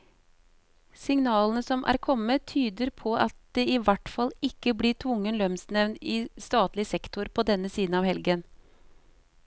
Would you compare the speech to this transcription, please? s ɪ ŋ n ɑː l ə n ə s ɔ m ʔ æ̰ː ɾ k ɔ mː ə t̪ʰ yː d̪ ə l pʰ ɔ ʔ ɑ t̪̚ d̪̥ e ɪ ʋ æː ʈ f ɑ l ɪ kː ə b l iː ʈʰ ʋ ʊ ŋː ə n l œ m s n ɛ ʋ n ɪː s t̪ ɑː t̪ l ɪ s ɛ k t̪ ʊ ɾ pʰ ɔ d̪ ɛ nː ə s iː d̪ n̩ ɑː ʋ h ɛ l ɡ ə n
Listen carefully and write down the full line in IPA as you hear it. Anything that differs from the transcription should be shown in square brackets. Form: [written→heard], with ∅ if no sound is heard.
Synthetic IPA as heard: s ɪ ŋ n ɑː l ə n ə s ɔ m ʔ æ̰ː ɾ [k→kʰ] ɔ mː ə t̪ʰ yː d̪ ə [l→ɾ] pʰ ɔ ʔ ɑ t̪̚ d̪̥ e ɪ ʋ [æː→æ] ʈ f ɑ l ɪ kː ə b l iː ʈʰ ʋ ʊ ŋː ə n l œ m s n ɛ ʋ n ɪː s t̪ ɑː t̪ l ɪ s ɛ k t̪ ʊ ɾ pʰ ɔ d̪ ɛ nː ə s iː d̪ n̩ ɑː ʋ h ɛ l ɡ ə n